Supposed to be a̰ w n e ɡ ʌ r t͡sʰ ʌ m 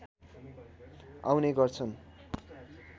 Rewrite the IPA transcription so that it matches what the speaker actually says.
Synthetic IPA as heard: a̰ w n e ɡ ʌ r t͡sʰ ʌ n